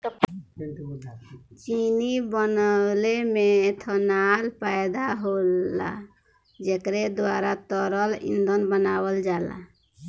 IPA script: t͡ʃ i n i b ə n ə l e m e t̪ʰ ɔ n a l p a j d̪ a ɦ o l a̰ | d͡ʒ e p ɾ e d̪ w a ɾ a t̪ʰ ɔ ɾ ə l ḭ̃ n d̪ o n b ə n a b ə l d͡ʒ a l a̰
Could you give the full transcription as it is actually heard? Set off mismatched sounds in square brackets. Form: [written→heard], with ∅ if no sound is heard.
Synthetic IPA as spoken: t͡ʃ i n i b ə n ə l e m e t̪ʰ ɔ n a l p a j d̪ a ɦ o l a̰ | d͡ʒ e [p→k] ɾ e d̪ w a ɾ a [t̪ʰ→t̪] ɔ ɾ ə l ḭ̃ n d̪ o n b ə n a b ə l d͡ʒ a l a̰